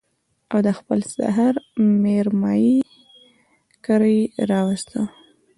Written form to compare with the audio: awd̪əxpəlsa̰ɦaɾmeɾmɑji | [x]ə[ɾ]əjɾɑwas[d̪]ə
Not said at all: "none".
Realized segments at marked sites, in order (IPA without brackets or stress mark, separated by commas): k, ɾ, t̪